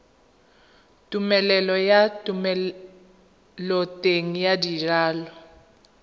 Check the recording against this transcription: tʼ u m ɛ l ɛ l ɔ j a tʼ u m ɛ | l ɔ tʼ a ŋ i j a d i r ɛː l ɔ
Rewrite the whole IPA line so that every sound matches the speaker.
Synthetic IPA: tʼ u m ɛ l ɛ l ɔ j a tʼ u m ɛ | l ɔ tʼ e ŋ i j a d i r aː l ɔ